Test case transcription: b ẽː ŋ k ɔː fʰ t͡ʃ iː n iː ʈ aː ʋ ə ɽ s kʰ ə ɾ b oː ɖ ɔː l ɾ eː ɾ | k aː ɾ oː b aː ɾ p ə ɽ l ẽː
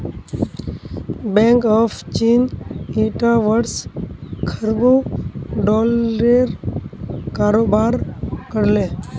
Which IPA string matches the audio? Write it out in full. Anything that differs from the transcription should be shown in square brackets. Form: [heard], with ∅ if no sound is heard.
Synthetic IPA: b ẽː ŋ k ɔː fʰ t͡ʃ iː n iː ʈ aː ʋ ə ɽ s kʰ ə ɾ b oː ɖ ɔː l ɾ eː ɾ | k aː ɾ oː b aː ɾ [k] ə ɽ l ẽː